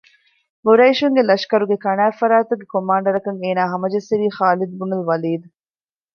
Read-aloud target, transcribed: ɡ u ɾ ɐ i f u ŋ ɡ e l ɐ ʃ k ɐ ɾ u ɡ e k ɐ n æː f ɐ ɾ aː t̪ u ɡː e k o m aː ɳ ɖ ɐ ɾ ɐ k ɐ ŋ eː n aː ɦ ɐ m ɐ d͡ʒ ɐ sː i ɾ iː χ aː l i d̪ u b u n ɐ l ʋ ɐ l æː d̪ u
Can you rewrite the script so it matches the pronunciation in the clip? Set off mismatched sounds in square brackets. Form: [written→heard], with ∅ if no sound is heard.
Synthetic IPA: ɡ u ɾ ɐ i [f→ʃ] u ŋ ɡ e l ɐ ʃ k ɐ ɾ u ɡ e k ɐ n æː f ɐ ɾ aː t̪ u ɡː e k o m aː ɳ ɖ ɐ ɾ ɐ k ɐ ŋ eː n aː ɦ ɐ m ɐ d͡ʒ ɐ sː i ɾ iː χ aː l i d̪ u b u n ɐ l ʋ ɐ l [æː→iː] d̪ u